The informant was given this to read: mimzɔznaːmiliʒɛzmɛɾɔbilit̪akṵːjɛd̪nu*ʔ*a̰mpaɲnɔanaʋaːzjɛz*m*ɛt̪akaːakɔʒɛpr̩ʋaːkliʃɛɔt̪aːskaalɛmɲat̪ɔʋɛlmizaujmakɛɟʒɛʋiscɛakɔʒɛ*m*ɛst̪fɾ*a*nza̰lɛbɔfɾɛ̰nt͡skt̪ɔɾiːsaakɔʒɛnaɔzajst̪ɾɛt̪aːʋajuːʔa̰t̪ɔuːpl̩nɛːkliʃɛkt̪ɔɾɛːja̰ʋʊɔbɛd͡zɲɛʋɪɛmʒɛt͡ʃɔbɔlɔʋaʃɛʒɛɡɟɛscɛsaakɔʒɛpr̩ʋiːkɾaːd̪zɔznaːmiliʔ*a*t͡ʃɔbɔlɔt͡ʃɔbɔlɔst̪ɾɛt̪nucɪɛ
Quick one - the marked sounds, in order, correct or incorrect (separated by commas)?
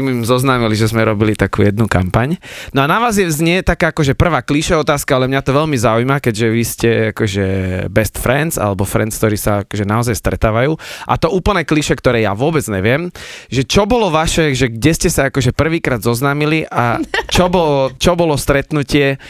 incorrect, incorrect, incorrect, incorrect, correct